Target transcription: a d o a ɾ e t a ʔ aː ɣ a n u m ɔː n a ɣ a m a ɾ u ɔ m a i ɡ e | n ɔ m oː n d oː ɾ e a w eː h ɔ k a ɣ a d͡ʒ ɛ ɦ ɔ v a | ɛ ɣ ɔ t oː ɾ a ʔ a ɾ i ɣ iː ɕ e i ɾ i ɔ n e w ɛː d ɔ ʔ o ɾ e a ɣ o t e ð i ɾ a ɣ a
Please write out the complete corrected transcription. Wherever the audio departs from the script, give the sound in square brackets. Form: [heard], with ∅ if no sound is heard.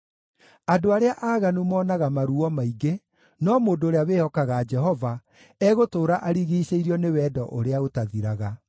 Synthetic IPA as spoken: a d o a ɾ e [∅] a ʔ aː ɣ a n u m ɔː n a ɣ a m a ɾ u ɔ m a i ɡ e | n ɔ m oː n d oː ɾ e a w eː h ɔ k a ɣ a d͡ʒ ɛ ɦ ɔ v a | ɛ ɣ [o] t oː ɾ a ʔ a ɾ i ɣ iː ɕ e i ɾ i ɔ n e w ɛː d ɔ ʔ o ɾ e a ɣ o t [a] ð i ɾ a ɣ a